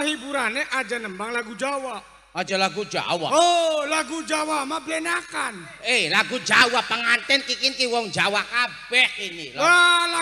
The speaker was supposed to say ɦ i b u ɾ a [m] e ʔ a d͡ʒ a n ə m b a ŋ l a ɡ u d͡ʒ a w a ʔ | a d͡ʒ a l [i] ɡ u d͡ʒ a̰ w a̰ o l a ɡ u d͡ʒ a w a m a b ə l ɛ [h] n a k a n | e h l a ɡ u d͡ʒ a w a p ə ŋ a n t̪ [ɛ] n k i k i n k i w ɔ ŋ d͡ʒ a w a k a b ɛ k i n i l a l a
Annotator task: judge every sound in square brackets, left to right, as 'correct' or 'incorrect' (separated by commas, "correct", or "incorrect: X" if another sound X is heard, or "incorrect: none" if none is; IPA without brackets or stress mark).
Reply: incorrect: n, incorrect: a, incorrect: none, correct